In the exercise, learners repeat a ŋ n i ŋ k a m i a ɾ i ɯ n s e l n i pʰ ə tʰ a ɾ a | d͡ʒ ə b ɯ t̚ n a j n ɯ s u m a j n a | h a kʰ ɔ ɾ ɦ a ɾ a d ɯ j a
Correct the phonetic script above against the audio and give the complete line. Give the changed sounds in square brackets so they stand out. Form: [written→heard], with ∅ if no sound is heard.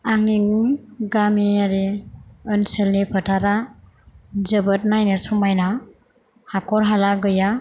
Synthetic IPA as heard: a ŋ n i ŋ [k→ɡ] a m i a ɾ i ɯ n s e l n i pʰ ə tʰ a ɾ a | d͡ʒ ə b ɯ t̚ n a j n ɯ s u m a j n a | h a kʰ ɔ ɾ ɦ a [ɾ→l] a [d→ɡ] ɯ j a